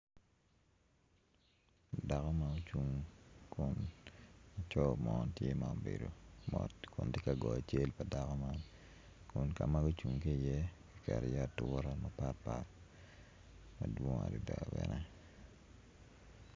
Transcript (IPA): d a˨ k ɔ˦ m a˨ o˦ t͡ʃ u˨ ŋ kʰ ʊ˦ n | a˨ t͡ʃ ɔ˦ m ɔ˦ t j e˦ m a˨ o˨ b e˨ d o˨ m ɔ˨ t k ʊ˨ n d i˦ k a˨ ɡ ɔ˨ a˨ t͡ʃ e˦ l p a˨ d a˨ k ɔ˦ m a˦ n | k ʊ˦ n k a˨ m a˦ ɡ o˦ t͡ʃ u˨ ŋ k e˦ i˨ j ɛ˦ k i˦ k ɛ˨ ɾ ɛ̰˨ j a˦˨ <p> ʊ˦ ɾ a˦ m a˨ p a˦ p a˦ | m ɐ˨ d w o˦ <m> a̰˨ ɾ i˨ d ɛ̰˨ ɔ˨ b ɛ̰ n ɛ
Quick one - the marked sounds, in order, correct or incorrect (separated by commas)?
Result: incorrect, incorrect